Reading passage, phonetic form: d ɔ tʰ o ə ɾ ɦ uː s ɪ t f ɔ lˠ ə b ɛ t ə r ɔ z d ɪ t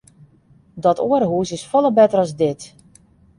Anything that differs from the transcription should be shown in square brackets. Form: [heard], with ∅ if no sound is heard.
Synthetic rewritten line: d ɔ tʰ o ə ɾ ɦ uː s ɪ [s] f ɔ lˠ ə b ɛ t ə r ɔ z d ɪ t